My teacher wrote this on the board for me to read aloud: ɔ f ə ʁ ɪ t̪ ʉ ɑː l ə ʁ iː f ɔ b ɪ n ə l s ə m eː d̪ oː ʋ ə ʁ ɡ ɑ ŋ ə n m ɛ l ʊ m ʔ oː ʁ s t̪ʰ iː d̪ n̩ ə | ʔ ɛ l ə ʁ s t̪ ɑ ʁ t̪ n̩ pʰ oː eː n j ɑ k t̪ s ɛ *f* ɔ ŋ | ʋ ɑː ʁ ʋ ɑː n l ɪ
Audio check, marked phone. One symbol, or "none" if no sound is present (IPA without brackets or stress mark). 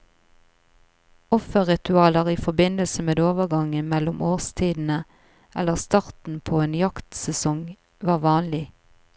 s